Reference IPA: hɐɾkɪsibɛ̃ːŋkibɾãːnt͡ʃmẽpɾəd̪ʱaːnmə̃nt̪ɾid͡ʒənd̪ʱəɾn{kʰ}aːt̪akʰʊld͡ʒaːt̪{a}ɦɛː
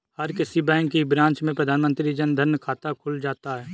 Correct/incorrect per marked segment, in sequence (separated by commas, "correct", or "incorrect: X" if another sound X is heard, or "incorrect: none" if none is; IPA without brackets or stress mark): correct, correct